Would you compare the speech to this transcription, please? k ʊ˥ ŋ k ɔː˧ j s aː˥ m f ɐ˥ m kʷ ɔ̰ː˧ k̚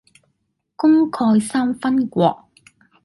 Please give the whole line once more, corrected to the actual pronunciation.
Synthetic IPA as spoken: k ʊ˥ ŋ kʰ ɔː˧ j s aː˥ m f ɐ˥ n kʷ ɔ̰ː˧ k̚